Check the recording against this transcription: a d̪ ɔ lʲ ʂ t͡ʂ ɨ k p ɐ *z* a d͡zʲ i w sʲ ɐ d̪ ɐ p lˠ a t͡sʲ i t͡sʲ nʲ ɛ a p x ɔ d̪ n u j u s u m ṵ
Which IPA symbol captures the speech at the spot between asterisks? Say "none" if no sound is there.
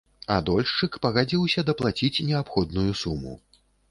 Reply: ɣ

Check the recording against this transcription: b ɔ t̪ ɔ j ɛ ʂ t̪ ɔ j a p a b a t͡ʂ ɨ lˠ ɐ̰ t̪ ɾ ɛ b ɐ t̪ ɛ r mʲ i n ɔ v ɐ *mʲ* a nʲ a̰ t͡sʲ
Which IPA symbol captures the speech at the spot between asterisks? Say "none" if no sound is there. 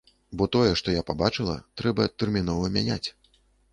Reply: mʲ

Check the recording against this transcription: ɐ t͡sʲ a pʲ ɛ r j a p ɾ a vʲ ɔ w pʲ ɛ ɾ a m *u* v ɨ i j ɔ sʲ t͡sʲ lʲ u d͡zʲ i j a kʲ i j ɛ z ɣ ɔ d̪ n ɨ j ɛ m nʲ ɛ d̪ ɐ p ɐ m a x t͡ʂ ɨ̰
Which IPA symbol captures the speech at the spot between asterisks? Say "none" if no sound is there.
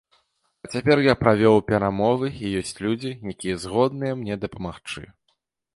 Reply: ɔ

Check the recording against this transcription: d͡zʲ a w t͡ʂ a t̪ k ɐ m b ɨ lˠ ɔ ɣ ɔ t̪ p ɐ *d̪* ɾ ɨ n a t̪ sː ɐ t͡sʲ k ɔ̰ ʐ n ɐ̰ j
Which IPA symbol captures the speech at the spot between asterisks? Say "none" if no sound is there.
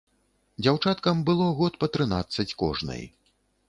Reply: t̪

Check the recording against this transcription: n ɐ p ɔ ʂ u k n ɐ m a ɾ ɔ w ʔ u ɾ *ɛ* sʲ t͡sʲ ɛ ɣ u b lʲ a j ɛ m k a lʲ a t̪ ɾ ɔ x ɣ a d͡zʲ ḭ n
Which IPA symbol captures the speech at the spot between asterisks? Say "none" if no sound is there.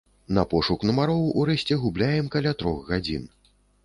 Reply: ɛ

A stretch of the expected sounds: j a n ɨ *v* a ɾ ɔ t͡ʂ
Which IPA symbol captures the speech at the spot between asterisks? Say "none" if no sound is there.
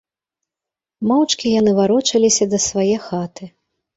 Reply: v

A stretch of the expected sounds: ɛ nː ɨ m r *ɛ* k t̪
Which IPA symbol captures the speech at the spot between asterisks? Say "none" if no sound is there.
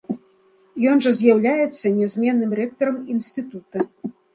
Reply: ɛ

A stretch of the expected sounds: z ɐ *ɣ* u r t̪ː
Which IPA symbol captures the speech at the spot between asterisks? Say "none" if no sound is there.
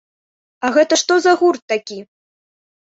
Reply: ɣ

